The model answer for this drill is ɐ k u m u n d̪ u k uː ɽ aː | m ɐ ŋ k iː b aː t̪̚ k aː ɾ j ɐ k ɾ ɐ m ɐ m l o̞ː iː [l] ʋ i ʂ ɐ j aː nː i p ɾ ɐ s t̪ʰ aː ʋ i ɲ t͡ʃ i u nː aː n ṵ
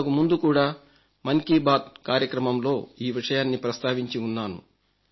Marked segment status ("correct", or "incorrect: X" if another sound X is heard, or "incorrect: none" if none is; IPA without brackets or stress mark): incorrect: none